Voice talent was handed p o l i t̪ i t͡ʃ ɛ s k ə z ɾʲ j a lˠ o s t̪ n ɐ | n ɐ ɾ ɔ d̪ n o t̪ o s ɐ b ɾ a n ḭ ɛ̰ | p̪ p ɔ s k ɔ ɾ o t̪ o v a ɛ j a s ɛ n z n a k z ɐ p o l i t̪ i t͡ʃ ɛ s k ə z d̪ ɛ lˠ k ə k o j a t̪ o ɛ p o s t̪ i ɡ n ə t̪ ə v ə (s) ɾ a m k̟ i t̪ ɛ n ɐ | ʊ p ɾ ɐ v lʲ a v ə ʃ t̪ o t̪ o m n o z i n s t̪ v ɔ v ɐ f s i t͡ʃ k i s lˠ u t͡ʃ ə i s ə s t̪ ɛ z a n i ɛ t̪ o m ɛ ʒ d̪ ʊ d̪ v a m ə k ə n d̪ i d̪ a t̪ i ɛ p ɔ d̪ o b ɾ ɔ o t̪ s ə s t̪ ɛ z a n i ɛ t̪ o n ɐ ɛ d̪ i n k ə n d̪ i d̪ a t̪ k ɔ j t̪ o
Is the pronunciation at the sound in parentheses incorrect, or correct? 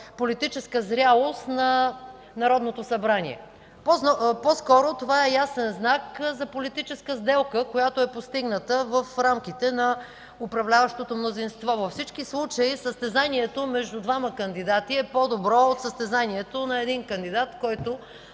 incorrect